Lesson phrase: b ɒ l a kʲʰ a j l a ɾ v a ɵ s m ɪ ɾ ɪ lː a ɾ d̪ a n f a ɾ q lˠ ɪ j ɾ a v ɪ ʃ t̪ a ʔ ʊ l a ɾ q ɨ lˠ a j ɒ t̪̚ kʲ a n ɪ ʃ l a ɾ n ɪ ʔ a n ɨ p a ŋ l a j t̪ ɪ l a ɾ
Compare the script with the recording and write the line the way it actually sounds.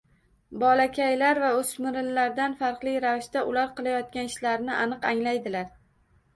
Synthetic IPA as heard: b ɒ l a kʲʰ a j l a ɾ v a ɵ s m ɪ ɾ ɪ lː a ɾ d̪ a n f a ɾ q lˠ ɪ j ɾ a v ɪ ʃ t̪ a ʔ ʊ l a ɾ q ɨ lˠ a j ɒ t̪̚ kʲ a n ɪ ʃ l a ɾ n ɪ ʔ a n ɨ q a ŋ l a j d̪ ɪ l a ɾ